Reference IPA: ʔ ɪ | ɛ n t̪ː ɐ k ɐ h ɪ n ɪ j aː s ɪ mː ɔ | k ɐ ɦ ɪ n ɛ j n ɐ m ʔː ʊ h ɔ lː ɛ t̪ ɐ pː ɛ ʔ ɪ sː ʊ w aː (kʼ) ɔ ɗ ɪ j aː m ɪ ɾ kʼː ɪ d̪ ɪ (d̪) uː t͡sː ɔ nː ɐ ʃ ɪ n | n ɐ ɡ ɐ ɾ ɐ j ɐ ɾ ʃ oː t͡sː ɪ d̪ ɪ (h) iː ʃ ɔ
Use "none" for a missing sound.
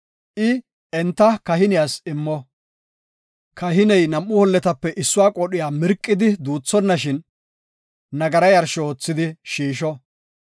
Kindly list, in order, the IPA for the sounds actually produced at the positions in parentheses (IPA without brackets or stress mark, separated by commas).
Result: kʼ, d̪, ʃ